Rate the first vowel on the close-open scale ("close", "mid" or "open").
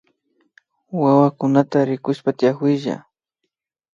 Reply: open